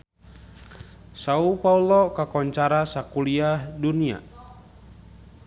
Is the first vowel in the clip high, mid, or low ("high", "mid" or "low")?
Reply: low